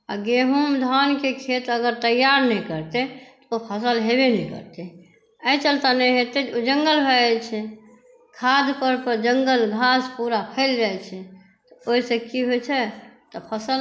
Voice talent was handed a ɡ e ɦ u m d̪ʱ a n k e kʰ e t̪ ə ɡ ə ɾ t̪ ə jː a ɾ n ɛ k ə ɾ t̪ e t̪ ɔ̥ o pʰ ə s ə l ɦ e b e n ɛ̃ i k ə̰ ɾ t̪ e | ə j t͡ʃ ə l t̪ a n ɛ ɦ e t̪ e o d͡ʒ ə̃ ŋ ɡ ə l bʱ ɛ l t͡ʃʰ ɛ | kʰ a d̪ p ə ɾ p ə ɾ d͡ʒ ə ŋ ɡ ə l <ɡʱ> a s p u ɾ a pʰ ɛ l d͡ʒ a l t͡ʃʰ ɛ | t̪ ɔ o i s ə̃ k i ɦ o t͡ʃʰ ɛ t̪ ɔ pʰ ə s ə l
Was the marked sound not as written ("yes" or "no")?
no